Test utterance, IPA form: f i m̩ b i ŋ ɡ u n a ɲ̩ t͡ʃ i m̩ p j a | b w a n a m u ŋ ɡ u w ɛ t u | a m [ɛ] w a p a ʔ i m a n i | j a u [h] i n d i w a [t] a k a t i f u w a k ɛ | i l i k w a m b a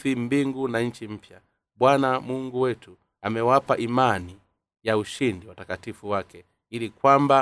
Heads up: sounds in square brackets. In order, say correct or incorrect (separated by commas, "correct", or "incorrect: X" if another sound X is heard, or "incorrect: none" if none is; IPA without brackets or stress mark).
correct, incorrect: ʃ, correct